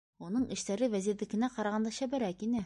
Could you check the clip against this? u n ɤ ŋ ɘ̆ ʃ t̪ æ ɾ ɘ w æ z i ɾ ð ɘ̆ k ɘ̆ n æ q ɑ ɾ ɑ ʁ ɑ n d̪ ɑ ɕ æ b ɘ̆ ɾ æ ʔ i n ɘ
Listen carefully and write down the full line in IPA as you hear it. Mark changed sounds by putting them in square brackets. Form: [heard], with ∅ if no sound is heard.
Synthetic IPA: u n ɤ [ɴ] ɘ̆ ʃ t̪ æ ɾ ɘ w æ z i ɾ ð ɘ̆ k ɘ̆ n æ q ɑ ɾ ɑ ʁ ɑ n d̪ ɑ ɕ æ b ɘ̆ ɾ æ [k] i n ɘ